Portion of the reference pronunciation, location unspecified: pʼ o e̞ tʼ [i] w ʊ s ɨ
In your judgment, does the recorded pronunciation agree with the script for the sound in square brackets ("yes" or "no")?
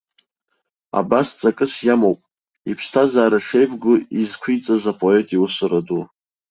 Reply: yes